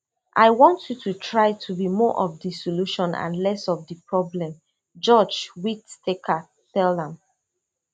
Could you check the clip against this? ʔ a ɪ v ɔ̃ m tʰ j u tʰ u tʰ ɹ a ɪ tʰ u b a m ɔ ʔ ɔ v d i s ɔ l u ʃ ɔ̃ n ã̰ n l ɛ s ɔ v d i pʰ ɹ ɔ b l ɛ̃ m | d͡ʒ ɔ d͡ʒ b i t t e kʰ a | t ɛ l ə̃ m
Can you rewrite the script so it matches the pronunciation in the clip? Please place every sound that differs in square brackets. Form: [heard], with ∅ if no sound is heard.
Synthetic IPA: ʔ a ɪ [w] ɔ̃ [n] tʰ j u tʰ u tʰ ɹ a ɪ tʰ u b [i] m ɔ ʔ ɔ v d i s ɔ l u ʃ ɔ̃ n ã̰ n l ɛ s ɔ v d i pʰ ɹ ɔ b l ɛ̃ m | d͡ʒ ɔ d͡ʒ [w] i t t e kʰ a | t ɛ l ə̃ m

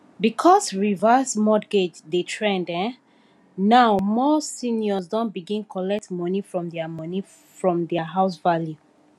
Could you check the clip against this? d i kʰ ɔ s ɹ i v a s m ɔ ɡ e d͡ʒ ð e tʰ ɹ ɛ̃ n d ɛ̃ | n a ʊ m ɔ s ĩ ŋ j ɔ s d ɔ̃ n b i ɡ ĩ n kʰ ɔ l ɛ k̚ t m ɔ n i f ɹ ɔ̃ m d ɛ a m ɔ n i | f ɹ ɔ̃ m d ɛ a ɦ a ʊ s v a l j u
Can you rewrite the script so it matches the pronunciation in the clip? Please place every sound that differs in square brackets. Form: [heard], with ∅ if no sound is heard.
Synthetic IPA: [b] i kʰ ɔ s ɹ i v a s m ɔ ɡ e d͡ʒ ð e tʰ ɹ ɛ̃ n d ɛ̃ | n a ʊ m ɔ s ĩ [n] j ɔ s d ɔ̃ n b i ɡ ĩ n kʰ ɔ l ɛ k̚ t m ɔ n i f ɹ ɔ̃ m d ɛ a m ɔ n i | f ɹ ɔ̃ m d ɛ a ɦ a ʊ s v a l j u

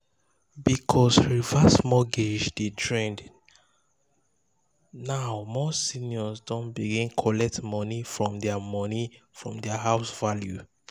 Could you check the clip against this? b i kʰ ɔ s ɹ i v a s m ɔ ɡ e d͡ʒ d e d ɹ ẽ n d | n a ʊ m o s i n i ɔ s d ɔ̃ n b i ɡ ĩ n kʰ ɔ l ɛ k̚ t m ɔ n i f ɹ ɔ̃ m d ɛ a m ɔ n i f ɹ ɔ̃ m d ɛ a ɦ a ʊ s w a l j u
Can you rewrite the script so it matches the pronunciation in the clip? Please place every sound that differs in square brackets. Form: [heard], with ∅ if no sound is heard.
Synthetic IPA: b i kʰ ɔ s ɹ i v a s m ɔ ɡ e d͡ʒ d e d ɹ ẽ n d | n a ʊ m [ɔ] s i n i ɔ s d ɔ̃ n b i ɡ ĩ n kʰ ɔ l ɛ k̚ t m ɔ n i f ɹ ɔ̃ m d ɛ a m ɔ n i f ɹ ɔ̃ m d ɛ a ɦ a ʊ s [v] a l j u

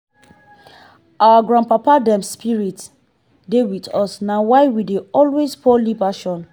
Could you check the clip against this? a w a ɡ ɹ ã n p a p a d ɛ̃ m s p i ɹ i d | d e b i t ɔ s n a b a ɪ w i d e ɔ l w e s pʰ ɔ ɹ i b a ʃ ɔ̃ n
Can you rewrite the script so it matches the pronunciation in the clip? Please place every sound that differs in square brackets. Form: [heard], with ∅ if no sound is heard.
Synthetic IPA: a w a ɡ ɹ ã n p a p a d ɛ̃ m s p i ɹ i [t] | d e [w] i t ɔ s n a [w] a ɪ w i d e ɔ l w e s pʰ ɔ [l] i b a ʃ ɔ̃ n

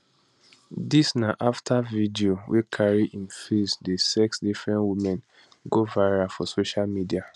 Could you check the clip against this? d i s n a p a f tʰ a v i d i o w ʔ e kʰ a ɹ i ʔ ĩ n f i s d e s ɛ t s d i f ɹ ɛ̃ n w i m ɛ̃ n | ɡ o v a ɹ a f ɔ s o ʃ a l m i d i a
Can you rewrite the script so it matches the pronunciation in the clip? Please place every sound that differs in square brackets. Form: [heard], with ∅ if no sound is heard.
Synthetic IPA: d i s n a [ʔ] a f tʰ a v i d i o w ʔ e kʰ a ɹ i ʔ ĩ n f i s d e s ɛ [k] s d i f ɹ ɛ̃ n w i m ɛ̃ n | ɡ o v a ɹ a f ɔ s o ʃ a l m i d i a

